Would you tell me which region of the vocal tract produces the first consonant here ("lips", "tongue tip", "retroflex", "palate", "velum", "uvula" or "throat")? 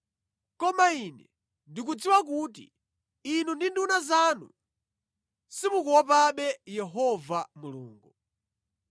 velum